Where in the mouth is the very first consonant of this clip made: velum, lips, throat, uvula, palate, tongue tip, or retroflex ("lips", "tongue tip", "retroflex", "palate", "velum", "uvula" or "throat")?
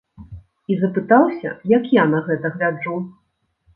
tongue tip